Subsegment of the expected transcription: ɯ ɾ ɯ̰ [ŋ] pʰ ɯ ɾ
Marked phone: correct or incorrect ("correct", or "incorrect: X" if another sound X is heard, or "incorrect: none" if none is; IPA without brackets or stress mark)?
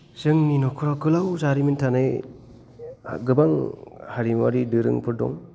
correct